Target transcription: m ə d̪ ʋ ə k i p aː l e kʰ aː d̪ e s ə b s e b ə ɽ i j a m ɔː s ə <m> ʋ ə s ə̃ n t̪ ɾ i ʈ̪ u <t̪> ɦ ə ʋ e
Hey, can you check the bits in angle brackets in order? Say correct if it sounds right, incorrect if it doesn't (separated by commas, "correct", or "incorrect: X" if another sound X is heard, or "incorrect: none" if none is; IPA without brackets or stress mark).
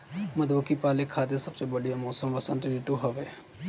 correct, incorrect: none